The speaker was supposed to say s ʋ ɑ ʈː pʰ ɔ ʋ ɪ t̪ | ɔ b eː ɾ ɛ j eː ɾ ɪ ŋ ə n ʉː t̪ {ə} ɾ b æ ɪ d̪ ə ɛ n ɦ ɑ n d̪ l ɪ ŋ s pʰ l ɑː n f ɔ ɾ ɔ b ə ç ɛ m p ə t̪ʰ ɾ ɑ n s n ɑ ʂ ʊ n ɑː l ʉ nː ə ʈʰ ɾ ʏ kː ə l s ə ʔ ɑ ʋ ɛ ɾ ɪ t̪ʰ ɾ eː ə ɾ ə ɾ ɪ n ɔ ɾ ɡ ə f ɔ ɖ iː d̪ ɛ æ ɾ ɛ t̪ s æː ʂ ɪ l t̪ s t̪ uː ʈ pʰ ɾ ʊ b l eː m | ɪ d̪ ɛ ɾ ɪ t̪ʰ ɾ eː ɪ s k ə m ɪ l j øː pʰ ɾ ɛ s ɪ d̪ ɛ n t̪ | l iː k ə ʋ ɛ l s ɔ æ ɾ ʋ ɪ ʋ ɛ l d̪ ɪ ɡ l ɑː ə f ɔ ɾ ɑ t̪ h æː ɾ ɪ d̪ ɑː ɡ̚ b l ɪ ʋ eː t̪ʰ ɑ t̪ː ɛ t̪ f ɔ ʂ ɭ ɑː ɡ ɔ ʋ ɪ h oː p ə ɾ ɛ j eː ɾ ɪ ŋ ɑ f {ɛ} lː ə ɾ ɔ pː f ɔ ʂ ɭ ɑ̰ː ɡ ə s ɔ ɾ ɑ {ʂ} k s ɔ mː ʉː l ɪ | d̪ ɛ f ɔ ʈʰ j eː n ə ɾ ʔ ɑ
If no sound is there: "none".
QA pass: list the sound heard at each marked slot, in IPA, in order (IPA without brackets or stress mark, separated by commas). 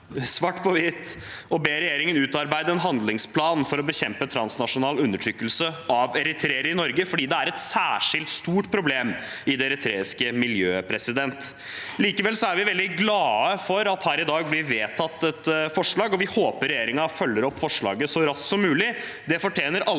ɑ, œ, s